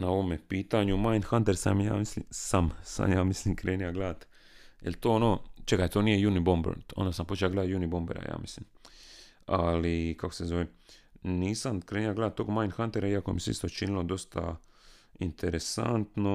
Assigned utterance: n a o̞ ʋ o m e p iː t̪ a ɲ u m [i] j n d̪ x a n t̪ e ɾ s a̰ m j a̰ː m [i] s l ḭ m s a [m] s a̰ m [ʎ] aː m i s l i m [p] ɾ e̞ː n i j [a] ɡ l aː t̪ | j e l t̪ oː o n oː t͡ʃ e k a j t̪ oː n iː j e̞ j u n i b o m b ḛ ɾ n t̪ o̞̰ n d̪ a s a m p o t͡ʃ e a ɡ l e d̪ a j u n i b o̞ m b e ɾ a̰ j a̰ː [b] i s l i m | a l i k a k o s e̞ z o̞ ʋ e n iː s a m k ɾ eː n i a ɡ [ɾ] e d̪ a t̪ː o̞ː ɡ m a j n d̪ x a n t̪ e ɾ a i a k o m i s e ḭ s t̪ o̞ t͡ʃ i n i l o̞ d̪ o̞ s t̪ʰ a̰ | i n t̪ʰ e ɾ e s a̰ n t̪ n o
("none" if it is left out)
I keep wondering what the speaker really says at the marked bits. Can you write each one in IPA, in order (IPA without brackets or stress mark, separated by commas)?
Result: a, i, m, j, k, a, m, l